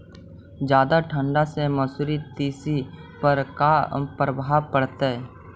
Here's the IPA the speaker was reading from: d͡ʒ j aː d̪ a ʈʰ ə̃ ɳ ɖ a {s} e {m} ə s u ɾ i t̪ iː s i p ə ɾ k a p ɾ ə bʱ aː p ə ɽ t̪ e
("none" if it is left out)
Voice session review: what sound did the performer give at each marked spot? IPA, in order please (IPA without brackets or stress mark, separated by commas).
s, m